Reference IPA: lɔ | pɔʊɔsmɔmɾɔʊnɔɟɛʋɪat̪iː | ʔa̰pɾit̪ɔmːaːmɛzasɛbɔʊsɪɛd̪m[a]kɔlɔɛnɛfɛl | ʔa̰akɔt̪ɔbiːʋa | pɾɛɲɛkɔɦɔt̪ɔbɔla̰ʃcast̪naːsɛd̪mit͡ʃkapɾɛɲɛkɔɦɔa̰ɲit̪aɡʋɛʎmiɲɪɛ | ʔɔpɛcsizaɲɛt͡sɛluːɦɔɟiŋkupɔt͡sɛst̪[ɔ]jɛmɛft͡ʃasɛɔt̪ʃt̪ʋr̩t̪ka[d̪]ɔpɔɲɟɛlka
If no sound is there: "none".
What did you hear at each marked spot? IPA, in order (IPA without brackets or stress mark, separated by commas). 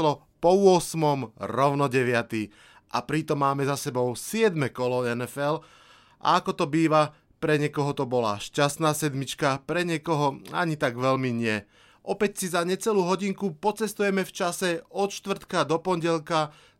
ɛ, u, d̪